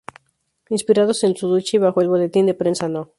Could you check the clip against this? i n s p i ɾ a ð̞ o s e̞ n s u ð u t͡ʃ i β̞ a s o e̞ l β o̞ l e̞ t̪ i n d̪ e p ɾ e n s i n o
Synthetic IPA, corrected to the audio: i n s p i ɾ a ð̞ o s e̞ n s u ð u t͡ʃ i β̞ a x o e̞ l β o̞ l e̞ t̪ i n d̪ e p ɾ e n s a n o